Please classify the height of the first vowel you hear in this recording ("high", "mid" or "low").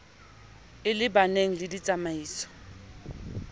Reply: high